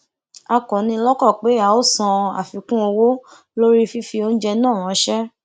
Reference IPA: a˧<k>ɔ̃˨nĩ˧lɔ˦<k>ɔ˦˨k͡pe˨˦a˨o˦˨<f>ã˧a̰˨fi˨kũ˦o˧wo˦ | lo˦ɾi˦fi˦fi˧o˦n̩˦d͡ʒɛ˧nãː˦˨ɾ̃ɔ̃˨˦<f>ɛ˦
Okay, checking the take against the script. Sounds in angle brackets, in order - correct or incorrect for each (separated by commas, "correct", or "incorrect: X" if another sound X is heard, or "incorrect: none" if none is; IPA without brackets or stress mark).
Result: correct, correct, incorrect: s, incorrect: ʃ